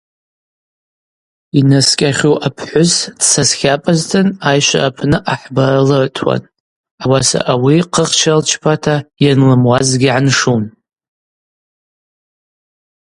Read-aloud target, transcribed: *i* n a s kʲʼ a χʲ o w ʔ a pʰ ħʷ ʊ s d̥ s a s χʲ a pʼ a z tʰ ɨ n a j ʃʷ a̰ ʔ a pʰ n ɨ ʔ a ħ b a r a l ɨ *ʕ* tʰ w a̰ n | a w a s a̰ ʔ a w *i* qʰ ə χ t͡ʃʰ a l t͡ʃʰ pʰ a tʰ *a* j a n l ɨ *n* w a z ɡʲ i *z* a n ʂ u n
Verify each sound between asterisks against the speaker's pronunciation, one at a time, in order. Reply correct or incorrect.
correct, correct, correct, correct, incorrect: m, incorrect: ʕ

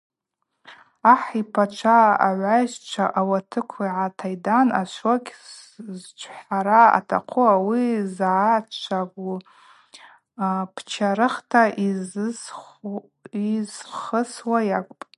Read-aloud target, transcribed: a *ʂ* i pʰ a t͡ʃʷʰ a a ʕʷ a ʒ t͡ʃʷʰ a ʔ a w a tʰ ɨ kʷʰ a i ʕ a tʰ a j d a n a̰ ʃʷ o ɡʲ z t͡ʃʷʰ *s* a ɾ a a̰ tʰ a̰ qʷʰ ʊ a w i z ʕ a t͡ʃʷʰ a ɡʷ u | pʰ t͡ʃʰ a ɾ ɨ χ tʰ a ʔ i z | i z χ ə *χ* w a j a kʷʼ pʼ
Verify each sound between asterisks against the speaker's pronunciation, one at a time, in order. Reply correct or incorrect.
incorrect: ħ, incorrect: ħ, incorrect: s

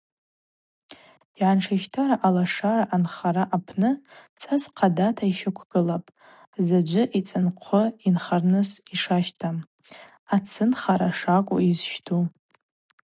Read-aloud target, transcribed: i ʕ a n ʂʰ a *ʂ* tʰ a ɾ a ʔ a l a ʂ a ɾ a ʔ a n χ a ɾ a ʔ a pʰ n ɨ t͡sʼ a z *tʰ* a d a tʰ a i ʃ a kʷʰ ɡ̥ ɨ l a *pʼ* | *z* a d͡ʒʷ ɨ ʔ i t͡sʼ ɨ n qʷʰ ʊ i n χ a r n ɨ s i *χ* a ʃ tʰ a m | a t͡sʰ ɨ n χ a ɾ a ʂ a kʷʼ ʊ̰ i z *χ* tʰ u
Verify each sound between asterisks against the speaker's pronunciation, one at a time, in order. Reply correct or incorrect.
incorrect: ʃ, incorrect: qʰ, correct, correct, incorrect: ʂ, incorrect: ʃ

